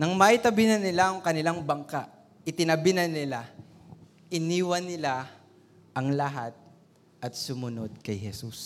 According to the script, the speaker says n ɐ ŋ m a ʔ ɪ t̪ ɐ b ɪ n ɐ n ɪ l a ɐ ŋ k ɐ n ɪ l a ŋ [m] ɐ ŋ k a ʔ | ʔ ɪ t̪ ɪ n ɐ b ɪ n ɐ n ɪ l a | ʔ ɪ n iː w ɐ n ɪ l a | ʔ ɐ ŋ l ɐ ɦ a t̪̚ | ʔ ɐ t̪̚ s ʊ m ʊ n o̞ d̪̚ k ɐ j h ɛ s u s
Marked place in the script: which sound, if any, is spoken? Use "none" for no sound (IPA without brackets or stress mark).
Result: b